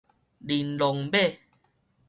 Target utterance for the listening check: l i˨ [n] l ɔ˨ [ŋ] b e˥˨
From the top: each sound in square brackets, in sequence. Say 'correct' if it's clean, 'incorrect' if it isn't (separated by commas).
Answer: correct, correct